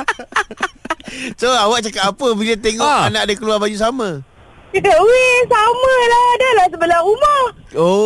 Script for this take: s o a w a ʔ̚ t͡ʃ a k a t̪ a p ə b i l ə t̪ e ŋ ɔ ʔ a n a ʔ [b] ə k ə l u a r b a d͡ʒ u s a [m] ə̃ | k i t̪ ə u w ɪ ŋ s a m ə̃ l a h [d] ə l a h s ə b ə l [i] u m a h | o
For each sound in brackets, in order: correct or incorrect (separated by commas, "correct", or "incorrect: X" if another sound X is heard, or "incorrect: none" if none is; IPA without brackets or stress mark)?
incorrect: d, correct, correct, incorrect: a